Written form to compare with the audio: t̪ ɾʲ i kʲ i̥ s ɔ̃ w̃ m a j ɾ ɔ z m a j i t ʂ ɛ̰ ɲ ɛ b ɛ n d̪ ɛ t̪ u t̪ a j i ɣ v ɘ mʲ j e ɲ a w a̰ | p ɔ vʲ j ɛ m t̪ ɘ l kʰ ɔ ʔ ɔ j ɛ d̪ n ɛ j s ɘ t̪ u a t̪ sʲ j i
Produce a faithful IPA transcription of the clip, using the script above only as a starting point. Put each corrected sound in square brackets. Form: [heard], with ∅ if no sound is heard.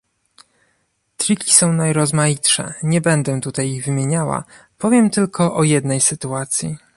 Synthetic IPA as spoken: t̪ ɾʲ i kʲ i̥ s ɔ̃ w̃ [n] a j ɾ ɔ z m a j i t ʂ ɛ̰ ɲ ɛ b ɛ n d̪ ɛ t̪ u t̪ a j i ɣ v ɘ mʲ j e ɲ a w a̰ | p ɔ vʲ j ɛ m t̪ ɘ l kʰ ɔ ʔ ɔ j ɛ d̪ n ɛ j s ɘ t̪ u a t̪ sʲ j i